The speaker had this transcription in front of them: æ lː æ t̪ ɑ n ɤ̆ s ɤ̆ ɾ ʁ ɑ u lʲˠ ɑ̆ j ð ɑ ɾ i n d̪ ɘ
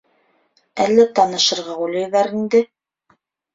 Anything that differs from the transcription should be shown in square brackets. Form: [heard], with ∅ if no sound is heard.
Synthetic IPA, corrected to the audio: æ lː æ t̪ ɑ n ɤ̆ [ʃ] ɤ̆ ɾ ʁ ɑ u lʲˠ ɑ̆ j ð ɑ ɾ i n d̪ ɘ